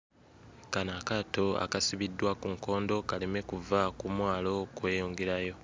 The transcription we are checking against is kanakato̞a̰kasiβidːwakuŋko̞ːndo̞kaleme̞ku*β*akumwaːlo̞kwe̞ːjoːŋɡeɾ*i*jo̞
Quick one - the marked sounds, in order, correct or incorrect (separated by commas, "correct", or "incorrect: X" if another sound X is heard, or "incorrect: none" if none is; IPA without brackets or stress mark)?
incorrect: v, incorrect: a